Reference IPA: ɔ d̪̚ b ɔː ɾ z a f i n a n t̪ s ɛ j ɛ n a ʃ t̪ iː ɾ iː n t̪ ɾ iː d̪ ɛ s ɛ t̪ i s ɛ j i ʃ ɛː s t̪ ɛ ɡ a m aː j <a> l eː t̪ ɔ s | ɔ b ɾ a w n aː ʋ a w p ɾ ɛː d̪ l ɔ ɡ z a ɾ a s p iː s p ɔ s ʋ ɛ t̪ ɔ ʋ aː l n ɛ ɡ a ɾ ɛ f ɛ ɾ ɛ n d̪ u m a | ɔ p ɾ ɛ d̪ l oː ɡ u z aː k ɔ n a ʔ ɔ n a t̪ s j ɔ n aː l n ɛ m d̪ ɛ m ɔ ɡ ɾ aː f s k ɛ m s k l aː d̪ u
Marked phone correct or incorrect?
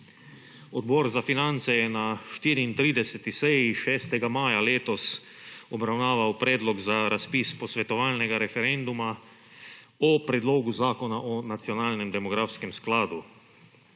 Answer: correct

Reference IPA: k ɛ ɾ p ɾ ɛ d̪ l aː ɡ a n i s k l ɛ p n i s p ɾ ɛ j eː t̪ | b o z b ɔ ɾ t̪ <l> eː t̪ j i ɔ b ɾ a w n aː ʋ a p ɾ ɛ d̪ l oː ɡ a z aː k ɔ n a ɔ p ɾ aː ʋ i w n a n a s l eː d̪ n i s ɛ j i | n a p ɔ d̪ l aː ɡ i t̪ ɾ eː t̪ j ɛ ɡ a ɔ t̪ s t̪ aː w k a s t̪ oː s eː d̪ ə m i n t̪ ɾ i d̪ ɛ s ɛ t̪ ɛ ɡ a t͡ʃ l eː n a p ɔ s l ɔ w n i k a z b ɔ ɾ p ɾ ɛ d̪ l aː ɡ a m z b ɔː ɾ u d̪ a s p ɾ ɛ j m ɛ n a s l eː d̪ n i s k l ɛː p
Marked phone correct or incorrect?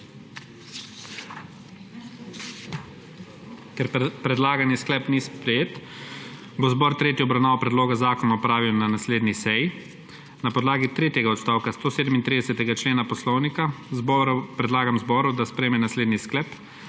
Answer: incorrect: ɾ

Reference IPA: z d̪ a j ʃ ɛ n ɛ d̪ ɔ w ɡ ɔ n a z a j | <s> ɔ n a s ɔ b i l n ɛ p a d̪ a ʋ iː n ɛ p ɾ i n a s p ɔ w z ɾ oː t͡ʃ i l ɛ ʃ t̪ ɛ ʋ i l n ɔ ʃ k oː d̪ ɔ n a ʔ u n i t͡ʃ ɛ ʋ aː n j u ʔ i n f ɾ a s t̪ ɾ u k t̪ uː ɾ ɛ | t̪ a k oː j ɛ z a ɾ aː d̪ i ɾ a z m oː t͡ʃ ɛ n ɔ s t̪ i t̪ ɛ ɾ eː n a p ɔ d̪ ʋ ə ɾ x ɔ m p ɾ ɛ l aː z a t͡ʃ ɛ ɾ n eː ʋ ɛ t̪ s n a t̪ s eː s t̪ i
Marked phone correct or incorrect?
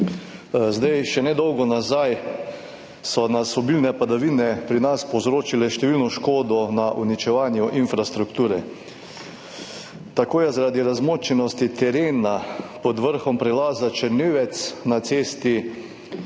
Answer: correct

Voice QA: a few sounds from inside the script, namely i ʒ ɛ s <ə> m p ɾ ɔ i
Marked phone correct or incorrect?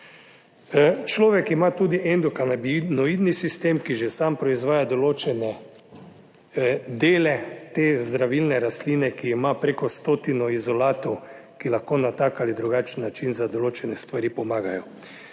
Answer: incorrect: a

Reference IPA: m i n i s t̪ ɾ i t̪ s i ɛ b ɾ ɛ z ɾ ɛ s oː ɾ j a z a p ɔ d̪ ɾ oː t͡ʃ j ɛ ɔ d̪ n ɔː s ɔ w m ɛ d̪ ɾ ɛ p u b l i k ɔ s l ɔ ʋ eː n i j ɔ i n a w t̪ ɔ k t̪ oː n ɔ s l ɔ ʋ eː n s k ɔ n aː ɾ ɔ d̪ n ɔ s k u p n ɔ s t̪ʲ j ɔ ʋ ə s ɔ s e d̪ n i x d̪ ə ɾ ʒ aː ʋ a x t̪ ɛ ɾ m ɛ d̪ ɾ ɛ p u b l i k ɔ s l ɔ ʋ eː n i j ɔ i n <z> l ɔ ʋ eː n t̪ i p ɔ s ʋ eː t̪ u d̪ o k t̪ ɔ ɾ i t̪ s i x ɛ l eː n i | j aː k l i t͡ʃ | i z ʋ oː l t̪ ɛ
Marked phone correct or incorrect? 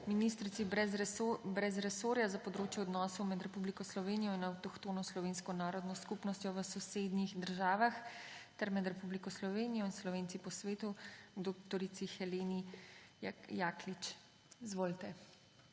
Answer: incorrect: s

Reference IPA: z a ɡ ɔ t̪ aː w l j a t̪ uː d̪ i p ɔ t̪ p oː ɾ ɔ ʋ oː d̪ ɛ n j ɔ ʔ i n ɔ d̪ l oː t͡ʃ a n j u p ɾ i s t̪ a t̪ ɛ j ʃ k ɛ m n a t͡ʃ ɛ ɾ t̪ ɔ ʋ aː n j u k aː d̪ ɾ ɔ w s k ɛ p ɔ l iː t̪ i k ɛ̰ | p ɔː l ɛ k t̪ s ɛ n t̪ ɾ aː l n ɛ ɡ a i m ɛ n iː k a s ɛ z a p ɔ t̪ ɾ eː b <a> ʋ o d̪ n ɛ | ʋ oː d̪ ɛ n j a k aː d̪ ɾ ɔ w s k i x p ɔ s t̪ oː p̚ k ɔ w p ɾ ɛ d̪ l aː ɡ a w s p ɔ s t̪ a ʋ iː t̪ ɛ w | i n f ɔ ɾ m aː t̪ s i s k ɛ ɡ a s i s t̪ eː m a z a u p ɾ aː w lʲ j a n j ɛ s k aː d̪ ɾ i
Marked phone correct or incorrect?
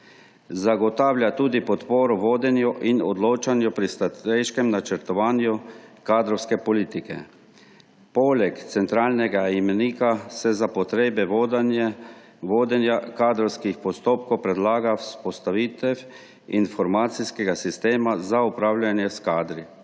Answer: incorrect: ɛ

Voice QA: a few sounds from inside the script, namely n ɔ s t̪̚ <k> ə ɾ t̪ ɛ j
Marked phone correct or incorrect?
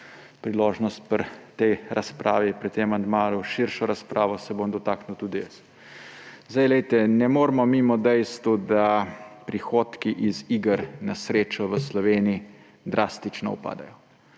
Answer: incorrect: p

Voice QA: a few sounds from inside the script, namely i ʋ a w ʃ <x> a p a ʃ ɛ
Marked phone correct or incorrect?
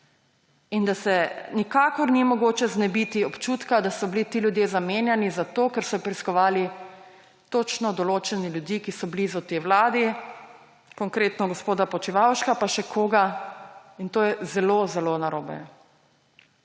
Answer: incorrect: k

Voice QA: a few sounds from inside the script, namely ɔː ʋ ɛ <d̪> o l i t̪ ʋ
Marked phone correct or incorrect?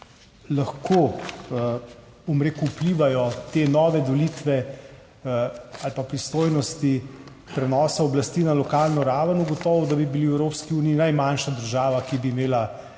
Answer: correct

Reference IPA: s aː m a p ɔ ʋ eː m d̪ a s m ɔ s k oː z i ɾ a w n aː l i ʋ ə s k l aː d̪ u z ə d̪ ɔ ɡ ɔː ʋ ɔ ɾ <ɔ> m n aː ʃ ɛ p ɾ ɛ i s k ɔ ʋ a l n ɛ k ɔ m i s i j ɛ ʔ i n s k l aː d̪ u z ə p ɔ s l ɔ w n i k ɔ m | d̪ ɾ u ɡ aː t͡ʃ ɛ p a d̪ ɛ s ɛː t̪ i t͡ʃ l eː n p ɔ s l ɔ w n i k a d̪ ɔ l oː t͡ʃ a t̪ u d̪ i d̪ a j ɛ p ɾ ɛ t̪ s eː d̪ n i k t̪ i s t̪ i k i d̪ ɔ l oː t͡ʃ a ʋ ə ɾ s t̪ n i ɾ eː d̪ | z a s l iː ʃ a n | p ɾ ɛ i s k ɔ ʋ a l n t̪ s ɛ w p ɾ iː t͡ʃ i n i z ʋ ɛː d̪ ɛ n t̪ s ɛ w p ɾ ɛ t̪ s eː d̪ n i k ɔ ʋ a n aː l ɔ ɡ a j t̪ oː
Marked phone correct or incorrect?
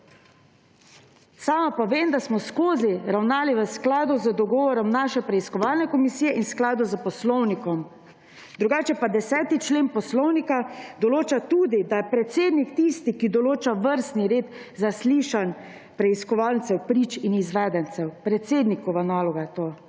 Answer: correct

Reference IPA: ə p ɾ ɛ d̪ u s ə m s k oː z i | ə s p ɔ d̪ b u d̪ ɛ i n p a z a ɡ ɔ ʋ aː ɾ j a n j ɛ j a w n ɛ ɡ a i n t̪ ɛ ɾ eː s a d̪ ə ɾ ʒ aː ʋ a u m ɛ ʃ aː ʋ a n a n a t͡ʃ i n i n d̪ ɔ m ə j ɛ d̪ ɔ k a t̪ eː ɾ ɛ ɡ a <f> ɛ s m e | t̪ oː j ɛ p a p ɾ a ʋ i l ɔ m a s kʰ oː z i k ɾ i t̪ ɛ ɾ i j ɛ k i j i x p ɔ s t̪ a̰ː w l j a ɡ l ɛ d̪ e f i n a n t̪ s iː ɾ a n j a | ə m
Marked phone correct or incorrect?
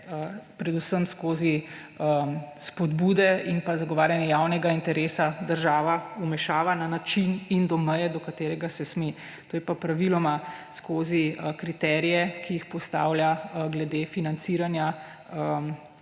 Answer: incorrect: s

